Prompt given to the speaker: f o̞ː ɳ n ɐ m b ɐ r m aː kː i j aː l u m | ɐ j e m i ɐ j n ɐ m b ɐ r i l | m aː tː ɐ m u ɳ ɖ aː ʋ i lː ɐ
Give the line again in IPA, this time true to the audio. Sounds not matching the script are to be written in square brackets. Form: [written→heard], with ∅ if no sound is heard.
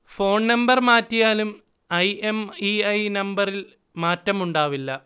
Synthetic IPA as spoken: f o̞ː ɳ n ɐ m b ɐ r m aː [kː→tː] i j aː l u m | ɐ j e m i ɐ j n ɐ m b ɐ r i l | m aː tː ɐ m u ɳ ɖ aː ʋ i lː ɐ